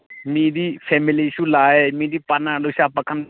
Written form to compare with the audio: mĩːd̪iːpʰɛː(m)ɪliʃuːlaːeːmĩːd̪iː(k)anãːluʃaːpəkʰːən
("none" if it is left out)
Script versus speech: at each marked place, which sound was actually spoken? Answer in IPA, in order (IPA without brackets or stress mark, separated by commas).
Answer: m, p